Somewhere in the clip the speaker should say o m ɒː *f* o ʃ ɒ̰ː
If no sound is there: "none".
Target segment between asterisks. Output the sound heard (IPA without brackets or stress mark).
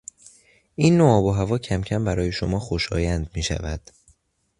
x